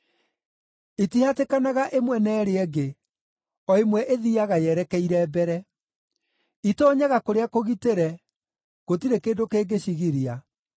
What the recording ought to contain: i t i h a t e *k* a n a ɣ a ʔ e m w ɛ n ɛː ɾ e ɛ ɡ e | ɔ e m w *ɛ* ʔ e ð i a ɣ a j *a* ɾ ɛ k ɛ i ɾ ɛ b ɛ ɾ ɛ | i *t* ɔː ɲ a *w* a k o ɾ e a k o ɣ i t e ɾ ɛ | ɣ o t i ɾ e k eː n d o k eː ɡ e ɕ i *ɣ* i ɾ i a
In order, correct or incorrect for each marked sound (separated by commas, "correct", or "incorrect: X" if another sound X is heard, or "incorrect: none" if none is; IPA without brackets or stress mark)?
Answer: correct, correct, incorrect: ɛ, correct, incorrect: ɣ, correct